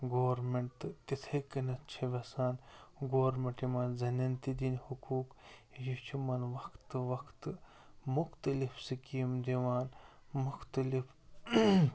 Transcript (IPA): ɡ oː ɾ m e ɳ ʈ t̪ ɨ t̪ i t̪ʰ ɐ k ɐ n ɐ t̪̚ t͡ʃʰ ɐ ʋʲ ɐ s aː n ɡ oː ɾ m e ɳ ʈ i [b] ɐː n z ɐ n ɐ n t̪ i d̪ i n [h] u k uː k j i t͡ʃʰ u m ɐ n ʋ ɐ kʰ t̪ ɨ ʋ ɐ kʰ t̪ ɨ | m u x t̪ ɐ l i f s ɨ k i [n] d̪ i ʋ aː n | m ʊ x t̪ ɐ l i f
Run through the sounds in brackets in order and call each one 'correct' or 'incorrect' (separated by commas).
incorrect, correct, incorrect